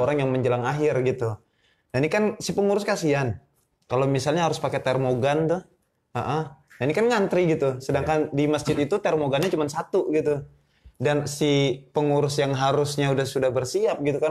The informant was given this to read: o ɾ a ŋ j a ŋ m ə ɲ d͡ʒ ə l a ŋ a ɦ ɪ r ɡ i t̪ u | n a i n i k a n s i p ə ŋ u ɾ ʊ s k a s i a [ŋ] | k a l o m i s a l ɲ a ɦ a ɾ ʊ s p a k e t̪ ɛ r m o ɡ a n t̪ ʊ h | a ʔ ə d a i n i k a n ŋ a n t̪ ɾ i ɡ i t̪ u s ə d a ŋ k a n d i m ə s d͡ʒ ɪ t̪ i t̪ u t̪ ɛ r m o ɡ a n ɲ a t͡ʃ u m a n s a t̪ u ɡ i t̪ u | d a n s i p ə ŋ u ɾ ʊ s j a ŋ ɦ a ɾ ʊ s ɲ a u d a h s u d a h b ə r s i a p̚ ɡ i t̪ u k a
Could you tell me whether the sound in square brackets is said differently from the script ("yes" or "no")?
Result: yes